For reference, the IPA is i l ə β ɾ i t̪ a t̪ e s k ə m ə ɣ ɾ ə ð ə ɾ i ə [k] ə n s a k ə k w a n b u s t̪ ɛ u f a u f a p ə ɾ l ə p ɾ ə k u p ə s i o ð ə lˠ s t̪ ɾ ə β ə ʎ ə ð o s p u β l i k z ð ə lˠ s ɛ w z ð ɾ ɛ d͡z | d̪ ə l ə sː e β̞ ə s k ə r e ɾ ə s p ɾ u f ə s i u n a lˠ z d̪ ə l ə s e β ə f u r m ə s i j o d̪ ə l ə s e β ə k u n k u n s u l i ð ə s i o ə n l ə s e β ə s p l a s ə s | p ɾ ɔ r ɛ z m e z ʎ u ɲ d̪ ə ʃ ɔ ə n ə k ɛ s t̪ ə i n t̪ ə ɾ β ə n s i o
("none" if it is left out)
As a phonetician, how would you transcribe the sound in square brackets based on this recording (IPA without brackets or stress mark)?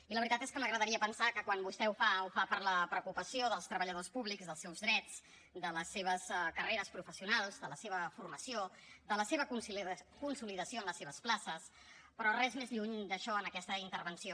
p